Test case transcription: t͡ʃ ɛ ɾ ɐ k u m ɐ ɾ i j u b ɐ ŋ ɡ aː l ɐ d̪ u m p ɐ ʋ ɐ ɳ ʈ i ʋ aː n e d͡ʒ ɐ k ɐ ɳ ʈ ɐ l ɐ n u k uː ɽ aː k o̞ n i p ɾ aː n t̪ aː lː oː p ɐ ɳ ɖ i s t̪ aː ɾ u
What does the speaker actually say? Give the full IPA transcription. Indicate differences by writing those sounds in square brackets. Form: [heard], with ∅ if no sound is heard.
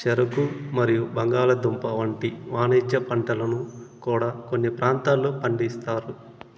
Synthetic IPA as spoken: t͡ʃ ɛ ɾ ɐ k u m ɐ ɾ i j u b ɐ ŋ ɡ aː l ɐ d̪ u m p ɐ ʋ ɐ ɳ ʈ i ʋ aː n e d͡ʒ ɐ [p] ɐ ɳ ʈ ɐ l ɐ n u k uː ɽ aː k o̞ [nː] i p ɾ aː n t̪ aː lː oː p ɐ ɳ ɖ i s t̪ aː ɾ u